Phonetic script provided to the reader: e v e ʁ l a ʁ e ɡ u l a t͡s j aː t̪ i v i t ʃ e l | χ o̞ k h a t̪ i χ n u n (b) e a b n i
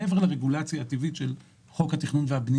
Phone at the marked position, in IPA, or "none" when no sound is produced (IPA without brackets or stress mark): v